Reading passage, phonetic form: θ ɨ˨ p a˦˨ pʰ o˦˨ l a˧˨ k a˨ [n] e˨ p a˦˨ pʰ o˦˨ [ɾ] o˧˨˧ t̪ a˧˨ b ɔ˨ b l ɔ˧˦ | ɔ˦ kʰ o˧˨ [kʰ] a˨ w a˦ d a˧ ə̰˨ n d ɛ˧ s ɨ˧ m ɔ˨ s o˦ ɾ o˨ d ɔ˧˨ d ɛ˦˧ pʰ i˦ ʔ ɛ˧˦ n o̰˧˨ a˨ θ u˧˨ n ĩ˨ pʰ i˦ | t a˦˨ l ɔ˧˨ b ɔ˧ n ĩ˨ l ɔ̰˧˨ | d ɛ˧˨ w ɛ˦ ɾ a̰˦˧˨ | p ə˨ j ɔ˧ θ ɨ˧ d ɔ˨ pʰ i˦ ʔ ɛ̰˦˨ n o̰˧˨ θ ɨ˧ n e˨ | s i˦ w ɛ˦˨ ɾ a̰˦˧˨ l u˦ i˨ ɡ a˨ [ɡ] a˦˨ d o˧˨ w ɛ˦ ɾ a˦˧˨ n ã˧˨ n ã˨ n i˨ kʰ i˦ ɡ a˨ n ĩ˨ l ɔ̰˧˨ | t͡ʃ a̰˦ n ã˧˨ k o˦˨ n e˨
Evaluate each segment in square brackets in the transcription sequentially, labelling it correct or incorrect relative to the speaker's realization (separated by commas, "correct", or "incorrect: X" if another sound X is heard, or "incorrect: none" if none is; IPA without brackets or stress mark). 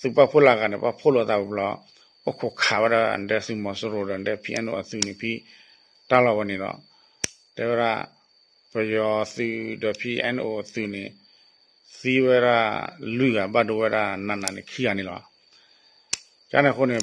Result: correct, incorrect: l, correct, incorrect: b